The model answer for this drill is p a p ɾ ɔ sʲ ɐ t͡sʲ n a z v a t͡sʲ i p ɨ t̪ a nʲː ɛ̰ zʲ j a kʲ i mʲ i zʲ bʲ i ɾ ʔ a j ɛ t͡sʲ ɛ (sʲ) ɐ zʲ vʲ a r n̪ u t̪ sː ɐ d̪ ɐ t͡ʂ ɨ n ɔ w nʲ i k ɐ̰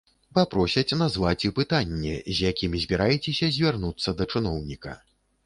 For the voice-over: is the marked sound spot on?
yes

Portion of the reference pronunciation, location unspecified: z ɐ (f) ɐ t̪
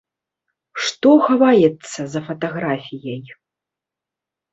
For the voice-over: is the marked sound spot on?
yes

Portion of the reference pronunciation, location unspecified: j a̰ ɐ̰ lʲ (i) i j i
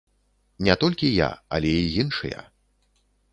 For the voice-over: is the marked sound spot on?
no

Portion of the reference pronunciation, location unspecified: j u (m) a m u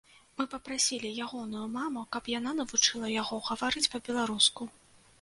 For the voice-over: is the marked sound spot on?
yes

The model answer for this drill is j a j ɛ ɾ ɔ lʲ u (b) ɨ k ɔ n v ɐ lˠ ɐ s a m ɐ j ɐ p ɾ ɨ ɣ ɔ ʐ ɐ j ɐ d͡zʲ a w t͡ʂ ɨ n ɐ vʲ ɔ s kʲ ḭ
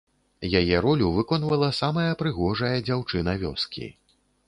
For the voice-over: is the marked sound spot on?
no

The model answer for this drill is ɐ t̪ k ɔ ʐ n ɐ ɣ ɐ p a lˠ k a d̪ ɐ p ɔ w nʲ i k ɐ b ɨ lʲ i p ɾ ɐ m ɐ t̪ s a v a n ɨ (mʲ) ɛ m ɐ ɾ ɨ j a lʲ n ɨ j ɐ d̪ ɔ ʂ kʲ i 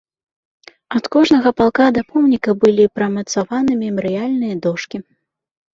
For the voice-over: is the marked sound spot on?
yes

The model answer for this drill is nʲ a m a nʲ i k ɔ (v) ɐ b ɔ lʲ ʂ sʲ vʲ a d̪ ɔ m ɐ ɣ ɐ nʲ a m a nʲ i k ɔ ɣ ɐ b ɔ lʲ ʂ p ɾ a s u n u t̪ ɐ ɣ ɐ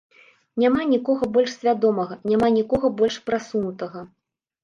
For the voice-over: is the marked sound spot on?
no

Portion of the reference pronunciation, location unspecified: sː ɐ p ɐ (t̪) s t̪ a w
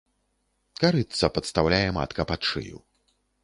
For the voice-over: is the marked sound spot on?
yes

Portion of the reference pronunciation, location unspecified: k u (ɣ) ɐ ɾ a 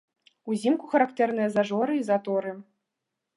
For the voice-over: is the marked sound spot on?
no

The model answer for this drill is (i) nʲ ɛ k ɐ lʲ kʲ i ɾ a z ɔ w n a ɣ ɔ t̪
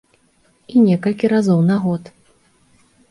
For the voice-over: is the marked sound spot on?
yes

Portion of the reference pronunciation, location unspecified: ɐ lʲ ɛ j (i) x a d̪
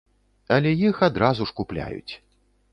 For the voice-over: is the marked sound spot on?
yes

